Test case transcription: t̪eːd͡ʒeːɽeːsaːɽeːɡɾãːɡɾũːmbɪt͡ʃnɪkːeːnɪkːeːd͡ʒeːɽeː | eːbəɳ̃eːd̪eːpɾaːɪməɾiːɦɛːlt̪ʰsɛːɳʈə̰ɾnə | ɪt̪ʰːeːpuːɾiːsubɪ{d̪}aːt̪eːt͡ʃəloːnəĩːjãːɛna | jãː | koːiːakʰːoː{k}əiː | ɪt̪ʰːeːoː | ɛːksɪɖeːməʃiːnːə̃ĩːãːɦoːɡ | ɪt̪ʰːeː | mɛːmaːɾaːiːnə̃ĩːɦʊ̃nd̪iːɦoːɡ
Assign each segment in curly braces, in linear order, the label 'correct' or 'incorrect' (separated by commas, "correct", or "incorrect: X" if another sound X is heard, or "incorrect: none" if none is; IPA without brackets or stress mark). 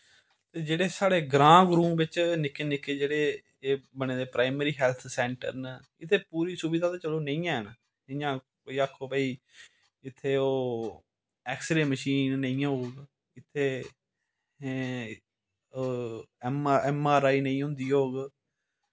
correct, incorrect: p